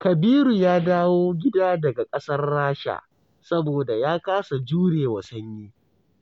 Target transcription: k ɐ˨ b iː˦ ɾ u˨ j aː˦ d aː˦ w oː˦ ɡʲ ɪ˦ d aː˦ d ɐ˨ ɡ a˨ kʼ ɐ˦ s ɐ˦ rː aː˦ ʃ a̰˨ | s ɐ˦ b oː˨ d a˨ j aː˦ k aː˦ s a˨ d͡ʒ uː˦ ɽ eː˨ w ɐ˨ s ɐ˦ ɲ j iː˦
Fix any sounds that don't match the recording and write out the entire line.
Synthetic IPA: k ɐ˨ b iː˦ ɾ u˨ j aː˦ d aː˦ w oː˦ ɡʲ ɪ˦ d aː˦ d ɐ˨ ɡ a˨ kʼ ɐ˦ s ɐ˦ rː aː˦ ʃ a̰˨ | s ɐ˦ b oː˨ d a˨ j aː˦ k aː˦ s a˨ d͡ʒ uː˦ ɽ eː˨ w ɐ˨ s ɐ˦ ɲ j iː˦